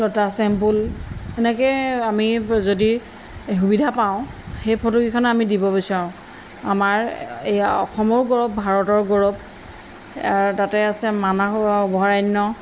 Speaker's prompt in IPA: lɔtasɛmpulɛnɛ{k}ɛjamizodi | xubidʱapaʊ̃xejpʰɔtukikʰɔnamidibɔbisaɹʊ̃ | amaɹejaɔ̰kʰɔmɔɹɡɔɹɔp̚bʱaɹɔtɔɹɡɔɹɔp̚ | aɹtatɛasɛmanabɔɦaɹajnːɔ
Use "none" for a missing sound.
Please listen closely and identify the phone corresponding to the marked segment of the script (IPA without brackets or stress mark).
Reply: k